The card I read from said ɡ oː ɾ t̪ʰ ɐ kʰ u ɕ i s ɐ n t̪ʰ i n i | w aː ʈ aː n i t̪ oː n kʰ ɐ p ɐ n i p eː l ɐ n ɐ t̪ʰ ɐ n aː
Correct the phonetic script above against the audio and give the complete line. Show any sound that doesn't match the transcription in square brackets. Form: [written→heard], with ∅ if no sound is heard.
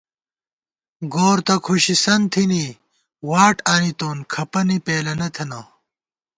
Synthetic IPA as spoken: ɡ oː ɾ [t̪ʰ→t̪] ɐ kʰ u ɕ i s ɐ n t̪ʰ i n i | w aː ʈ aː n i t̪ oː n kʰ ɐ p ɐ n i p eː l ɐ n ɐ t̪ʰ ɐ n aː